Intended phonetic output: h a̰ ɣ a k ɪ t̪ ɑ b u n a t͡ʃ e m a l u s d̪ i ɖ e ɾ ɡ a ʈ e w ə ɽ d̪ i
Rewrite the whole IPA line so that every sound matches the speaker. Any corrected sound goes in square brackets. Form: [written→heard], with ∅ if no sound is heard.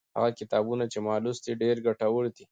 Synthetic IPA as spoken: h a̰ ɣ a k ɪ t̪ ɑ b u n a t͡ʃ e m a l u s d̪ i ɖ e ɾ ɡ a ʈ [e→a] w ə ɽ d̪ i